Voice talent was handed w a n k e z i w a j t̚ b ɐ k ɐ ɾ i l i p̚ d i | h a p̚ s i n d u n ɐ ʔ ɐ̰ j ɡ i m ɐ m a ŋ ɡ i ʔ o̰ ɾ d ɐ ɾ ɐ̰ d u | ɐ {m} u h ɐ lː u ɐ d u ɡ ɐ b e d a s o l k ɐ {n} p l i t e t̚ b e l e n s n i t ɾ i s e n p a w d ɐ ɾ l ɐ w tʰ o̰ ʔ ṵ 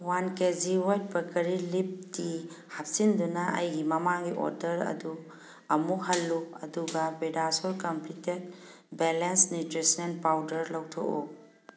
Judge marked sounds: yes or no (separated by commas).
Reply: yes, no